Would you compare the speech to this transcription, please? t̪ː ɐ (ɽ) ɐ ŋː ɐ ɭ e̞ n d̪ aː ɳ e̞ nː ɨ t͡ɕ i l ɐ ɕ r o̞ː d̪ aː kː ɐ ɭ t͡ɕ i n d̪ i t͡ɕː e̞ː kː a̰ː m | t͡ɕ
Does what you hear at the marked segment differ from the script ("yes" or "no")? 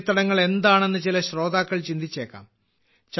no